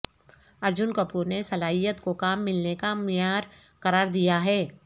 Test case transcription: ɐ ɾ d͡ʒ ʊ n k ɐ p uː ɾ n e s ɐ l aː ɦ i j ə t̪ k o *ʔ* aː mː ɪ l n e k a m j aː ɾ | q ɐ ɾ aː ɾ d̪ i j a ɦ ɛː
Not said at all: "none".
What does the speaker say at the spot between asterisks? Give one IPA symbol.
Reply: k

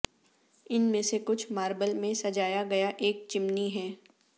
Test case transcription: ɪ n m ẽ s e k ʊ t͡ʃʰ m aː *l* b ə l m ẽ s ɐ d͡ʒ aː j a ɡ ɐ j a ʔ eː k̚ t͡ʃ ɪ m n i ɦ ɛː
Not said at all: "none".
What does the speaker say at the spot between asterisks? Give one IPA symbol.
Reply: ɾ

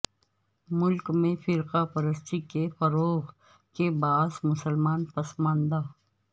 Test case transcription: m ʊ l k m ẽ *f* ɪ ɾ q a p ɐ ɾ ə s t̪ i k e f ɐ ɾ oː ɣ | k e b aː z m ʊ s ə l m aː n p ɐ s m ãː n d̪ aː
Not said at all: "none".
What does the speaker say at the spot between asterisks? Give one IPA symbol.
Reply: f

